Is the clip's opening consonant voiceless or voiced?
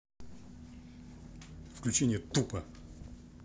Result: voiceless